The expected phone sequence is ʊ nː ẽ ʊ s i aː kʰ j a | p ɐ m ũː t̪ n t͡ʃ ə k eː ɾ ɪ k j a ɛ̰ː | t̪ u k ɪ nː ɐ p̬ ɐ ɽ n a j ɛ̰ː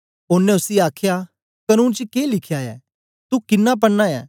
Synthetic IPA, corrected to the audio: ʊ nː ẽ ʊ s i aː kʰ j a | k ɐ n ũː n t͡ʃ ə k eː l ɪ kʰ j a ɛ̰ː | t̪ u k ɪ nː a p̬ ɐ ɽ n a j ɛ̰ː